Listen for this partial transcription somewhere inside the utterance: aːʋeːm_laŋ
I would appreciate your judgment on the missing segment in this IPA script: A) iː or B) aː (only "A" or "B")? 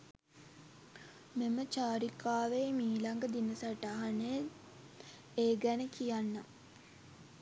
A